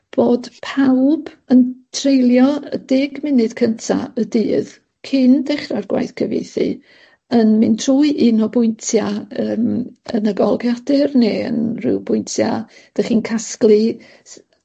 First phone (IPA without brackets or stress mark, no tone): b̥